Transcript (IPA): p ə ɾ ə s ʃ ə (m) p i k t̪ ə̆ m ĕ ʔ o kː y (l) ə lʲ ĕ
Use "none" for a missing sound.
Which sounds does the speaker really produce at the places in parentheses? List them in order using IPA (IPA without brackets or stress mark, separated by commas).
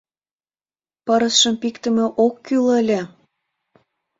m, l